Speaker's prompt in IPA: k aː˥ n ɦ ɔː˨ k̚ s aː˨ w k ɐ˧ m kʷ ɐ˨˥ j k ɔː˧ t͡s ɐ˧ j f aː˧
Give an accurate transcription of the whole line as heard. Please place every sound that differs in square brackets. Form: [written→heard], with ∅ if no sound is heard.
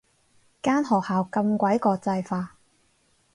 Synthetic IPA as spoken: k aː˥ n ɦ ɔː˨ k̚ [s→h] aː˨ w k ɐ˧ m kʷ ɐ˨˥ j k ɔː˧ t͡s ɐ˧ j f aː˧

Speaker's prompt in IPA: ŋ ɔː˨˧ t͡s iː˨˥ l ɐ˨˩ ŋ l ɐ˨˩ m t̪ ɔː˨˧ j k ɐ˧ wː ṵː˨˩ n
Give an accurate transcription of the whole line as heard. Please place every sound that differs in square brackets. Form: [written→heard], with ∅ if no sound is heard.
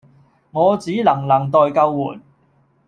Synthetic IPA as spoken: ŋ ɔː˨˧ t͡s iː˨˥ l ɐ˨˩ ŋ l ɐ˨˩ [m→ŋ] t̪ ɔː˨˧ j k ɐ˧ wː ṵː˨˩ n

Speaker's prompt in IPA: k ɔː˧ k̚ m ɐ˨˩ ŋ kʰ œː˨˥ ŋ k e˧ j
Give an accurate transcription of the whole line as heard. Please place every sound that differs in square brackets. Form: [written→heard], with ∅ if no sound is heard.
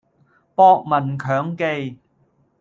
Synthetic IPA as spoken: [k→p] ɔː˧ k̚ m ɐ˨˩ [ŋ→n] kʰ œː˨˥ ŋ k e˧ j

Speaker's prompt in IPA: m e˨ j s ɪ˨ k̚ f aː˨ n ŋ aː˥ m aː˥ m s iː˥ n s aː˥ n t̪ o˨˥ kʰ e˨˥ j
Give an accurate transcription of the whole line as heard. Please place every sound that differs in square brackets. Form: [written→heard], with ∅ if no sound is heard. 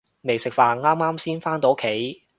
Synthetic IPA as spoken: m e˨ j s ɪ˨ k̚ f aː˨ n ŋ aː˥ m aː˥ m s iː˥ n [s→f] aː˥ n t̪ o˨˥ kʰ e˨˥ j

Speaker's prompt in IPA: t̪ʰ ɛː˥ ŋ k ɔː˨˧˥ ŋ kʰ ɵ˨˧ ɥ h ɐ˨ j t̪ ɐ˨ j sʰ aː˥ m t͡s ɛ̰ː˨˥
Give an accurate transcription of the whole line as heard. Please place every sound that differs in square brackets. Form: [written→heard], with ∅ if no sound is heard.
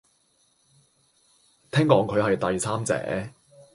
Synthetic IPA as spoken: t̪ʰ ɛː˥ ŋ k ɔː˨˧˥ ŋ kʰ ɵ˨˧ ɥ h ɐ˨ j t̪ ɐ˨ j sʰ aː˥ m t͡s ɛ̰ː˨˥

